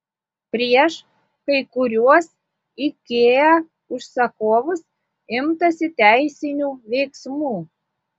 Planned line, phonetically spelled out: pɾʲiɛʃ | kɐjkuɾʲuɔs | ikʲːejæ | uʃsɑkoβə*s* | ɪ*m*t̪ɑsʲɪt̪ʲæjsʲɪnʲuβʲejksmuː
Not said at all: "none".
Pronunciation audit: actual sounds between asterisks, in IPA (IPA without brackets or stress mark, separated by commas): s, m